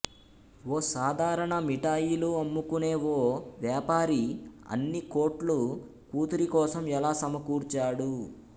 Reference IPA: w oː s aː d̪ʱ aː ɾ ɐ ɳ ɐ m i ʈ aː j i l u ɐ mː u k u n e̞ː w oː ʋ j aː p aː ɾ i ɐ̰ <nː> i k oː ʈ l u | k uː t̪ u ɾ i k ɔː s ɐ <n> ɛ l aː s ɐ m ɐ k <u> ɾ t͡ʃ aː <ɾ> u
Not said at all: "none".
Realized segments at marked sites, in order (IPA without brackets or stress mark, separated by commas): nː, m, uː, ɽ